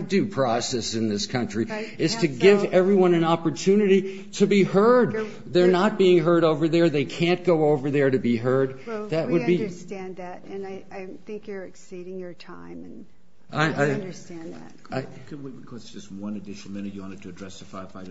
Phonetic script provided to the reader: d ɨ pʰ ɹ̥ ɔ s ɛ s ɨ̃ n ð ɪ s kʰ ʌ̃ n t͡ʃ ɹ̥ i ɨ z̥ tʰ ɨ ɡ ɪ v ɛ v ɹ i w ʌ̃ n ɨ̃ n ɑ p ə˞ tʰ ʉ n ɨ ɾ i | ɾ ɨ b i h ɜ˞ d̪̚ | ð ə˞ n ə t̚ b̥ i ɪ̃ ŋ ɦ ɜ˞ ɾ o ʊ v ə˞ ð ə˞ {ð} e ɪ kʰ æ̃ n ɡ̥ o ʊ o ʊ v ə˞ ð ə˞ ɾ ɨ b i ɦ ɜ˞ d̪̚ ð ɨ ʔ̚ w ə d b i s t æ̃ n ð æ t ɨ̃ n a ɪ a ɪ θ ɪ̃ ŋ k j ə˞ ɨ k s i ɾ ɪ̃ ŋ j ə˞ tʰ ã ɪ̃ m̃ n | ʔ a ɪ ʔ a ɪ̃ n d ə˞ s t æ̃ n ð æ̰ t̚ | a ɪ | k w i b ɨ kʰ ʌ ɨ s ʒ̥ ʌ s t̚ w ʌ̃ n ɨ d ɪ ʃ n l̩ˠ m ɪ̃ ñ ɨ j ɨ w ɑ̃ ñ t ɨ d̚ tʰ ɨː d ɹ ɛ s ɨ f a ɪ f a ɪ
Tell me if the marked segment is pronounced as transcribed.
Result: yes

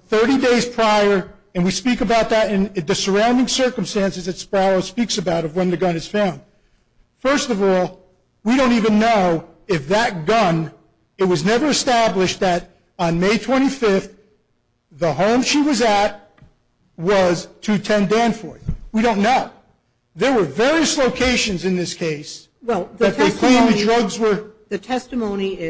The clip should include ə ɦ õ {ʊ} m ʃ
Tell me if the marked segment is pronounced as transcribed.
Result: no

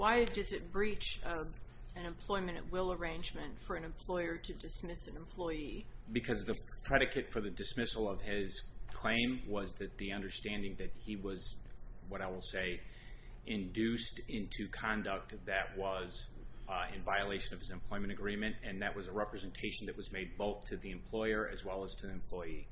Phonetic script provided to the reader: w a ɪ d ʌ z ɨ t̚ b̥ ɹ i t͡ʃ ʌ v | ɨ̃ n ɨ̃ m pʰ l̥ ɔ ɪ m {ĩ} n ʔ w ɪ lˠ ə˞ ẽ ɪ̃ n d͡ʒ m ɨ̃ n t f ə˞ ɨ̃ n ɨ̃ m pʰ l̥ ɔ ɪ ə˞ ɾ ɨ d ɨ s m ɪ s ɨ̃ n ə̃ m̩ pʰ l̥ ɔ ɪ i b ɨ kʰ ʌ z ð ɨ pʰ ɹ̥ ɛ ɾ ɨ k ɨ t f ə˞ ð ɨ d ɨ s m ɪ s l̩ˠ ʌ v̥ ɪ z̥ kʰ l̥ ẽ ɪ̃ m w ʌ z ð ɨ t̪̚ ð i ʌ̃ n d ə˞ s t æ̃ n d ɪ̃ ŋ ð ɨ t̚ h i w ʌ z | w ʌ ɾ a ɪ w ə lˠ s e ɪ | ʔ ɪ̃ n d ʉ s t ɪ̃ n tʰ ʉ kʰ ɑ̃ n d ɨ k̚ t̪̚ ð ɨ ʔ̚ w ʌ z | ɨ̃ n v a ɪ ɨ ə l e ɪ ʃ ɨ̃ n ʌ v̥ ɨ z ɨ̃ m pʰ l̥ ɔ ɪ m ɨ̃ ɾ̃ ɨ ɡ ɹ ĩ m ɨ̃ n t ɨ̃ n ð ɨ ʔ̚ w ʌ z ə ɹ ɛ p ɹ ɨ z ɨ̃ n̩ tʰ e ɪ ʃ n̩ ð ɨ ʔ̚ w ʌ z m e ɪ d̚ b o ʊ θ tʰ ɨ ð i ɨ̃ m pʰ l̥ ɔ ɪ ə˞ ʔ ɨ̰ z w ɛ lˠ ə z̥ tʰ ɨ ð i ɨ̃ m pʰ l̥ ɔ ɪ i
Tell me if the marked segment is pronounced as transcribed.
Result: no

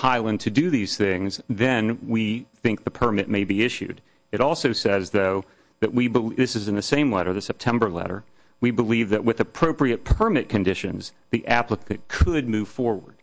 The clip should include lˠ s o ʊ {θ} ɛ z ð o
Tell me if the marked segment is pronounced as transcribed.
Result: no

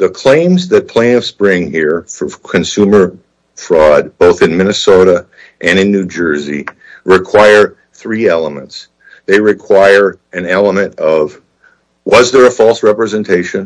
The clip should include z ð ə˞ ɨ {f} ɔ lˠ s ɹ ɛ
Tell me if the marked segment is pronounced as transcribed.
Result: yes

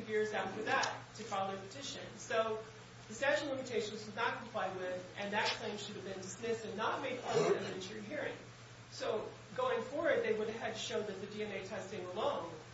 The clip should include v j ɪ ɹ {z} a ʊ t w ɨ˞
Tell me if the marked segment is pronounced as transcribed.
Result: yes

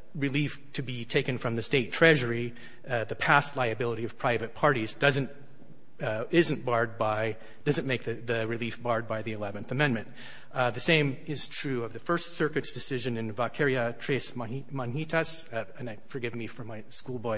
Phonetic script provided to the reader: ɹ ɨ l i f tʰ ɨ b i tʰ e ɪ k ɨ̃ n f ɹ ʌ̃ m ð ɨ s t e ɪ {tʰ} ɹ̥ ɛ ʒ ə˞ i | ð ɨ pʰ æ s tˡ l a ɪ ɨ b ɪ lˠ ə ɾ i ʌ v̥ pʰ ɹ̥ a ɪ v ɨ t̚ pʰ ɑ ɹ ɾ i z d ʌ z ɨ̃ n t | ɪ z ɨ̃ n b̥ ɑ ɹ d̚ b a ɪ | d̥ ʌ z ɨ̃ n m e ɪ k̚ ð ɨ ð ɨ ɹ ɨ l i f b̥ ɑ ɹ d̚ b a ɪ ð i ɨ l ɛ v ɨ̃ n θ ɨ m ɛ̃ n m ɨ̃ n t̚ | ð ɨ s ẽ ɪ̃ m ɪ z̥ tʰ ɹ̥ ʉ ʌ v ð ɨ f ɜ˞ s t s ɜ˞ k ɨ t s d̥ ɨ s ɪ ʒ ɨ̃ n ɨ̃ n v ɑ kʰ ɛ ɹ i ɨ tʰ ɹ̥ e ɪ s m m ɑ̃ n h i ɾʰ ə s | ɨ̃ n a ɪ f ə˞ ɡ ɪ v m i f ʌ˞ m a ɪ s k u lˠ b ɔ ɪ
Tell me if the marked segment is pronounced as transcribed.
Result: yes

